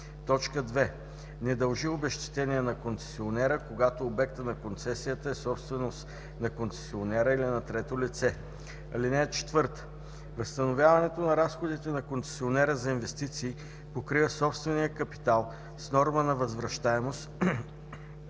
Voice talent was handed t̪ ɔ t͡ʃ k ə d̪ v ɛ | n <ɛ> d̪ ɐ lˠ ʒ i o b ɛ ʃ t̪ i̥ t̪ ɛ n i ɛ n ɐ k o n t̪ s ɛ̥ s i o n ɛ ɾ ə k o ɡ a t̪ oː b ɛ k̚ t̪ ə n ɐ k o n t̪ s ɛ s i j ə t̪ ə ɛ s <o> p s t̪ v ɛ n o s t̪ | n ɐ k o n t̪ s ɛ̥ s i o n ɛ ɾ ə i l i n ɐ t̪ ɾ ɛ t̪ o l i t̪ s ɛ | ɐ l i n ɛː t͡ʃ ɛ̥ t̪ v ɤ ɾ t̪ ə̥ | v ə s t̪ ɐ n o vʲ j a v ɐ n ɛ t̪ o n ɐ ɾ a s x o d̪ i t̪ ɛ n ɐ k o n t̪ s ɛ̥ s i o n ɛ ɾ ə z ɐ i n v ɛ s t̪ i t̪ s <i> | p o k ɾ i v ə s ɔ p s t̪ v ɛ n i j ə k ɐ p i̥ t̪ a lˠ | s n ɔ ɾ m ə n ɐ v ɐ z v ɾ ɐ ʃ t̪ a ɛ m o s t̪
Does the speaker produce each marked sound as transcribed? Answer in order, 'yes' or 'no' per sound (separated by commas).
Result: yes, no, no